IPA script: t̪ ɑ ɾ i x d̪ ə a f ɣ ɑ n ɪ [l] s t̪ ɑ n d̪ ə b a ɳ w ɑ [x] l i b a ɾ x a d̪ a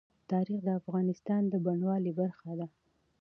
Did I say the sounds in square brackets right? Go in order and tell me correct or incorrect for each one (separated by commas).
incorrect, incorrect